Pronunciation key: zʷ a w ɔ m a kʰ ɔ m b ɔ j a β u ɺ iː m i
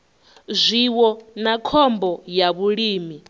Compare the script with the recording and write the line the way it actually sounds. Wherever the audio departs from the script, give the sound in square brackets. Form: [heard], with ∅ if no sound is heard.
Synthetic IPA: zʷ [i] w ɔ [n] a kʰ ɔ m b ɔ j a β u ɺ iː m i